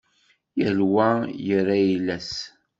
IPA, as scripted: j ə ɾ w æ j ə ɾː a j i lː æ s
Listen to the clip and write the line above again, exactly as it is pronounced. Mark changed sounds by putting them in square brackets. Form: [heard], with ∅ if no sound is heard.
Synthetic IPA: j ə [l] w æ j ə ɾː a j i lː æ s